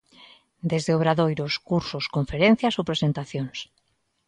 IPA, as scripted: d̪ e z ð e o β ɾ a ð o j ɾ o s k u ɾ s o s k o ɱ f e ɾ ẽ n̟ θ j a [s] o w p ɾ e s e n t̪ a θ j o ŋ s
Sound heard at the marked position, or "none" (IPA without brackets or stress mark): s